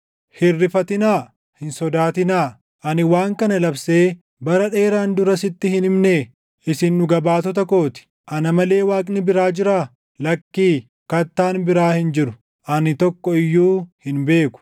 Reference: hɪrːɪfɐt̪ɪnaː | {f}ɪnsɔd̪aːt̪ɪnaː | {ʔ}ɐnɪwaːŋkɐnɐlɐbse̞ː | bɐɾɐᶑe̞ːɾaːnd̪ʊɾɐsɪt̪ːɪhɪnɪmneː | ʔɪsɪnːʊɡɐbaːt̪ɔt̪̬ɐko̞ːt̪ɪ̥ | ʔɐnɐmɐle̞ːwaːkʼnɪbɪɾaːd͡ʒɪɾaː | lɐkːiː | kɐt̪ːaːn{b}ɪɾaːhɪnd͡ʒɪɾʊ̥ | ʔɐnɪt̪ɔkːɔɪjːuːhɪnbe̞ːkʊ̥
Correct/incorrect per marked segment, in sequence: incorrect: h, correct, correct

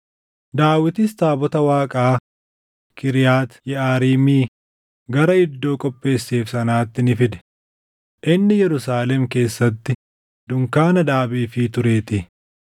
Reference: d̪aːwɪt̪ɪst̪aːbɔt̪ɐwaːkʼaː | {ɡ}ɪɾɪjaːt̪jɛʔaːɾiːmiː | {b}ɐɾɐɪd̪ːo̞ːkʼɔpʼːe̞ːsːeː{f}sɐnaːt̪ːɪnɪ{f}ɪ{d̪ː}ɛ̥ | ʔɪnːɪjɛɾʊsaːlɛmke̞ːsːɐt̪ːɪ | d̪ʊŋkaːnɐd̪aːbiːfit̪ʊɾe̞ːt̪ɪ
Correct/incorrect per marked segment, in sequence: incorrect: k, incorrect: ɡ, correct, correct, incorrect: d̪

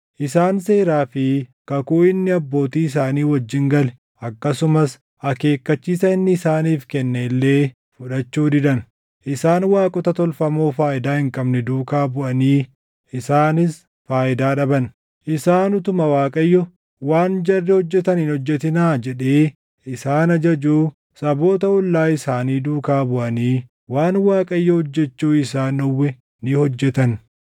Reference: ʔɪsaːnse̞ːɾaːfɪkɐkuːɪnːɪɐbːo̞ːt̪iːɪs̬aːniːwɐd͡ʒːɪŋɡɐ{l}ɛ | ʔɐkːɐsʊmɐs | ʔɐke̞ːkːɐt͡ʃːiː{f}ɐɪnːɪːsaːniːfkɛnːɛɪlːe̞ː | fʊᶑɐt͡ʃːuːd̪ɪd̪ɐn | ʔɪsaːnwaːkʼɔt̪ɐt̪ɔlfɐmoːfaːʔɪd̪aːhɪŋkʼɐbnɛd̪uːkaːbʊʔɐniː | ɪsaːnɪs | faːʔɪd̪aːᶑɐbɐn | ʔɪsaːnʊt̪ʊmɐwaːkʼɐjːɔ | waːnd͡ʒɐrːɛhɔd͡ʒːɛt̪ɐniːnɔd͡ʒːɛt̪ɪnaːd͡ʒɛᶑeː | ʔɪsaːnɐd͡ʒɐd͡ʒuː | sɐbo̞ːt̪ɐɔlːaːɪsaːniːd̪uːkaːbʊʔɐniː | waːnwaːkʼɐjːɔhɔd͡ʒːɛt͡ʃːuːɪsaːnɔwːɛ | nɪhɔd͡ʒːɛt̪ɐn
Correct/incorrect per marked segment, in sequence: correct, incorrect: s

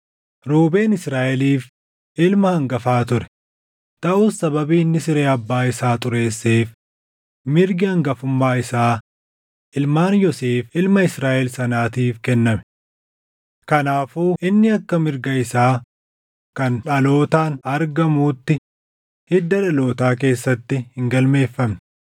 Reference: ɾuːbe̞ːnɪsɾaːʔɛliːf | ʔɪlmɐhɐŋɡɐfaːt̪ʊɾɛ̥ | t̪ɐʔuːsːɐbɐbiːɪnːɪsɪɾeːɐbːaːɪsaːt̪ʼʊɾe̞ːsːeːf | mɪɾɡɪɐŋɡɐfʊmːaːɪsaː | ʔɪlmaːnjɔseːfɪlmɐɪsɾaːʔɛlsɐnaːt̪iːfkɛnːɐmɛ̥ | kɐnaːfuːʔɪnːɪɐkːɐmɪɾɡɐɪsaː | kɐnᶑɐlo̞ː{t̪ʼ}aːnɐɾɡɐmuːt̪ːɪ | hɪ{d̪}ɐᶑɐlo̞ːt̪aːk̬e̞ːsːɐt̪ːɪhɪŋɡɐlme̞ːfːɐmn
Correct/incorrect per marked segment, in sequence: incorrect: t̪, incorrect: d̪ː

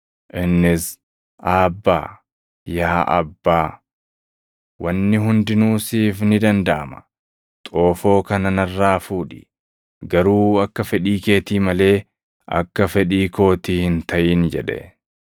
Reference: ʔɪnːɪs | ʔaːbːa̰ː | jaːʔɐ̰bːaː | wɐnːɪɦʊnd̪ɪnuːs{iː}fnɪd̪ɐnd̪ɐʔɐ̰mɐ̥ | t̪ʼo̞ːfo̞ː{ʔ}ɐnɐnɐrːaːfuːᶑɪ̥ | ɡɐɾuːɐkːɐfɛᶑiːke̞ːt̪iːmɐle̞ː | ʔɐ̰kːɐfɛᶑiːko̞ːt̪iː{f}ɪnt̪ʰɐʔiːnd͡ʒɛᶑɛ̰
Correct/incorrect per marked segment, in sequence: correct, incorrect: k, incorrect: h

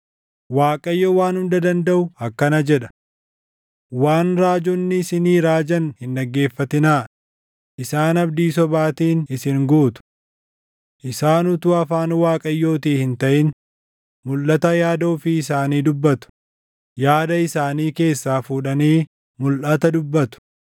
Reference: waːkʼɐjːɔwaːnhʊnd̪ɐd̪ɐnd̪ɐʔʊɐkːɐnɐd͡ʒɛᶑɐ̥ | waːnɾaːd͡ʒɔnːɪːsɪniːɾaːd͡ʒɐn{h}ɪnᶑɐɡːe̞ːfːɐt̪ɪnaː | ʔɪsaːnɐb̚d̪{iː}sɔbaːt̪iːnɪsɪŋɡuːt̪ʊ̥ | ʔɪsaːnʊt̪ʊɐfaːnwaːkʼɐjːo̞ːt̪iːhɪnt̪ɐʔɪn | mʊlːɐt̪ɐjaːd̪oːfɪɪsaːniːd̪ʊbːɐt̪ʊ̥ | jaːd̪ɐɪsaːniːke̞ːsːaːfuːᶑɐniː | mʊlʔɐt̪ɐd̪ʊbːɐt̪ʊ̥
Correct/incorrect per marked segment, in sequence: correct, correct

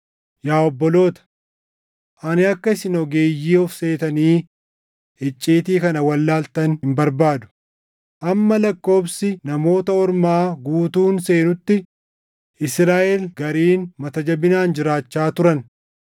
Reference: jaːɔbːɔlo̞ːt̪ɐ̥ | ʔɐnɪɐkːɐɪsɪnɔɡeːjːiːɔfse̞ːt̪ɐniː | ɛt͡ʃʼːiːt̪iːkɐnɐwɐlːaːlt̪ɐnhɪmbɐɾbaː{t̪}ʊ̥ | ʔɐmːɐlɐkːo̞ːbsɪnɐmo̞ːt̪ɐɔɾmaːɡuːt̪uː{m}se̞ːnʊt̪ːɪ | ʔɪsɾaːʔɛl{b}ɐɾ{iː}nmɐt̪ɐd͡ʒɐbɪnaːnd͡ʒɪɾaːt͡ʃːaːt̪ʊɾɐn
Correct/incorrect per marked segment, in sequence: incorrect: d̪, incorrect: n, incorrect: ɡ, correct

